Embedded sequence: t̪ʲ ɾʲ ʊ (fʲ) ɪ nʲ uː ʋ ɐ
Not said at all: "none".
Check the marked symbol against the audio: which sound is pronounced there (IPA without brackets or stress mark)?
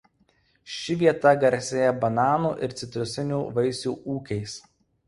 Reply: sʲ